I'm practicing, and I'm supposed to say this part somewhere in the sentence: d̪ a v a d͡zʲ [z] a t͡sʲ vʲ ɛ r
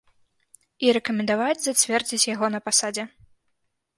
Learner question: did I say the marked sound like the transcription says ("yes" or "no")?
yes